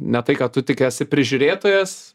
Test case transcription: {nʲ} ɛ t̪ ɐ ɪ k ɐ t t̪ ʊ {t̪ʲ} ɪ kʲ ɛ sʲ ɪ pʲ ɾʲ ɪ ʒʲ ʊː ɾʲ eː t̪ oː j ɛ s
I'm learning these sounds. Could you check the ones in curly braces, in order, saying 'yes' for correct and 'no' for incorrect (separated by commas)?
yes, yes